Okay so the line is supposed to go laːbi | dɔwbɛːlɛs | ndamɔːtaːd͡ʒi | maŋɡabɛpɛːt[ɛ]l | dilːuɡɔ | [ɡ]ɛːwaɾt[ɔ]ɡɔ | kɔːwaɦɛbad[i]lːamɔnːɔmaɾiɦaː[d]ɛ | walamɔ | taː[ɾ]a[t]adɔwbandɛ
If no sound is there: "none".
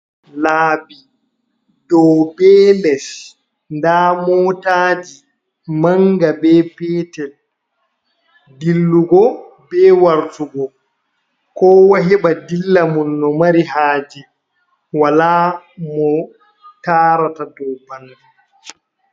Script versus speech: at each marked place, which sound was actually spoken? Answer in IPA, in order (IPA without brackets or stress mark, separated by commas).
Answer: ɛ, b, u, i, d͡ʒ, ɾ, t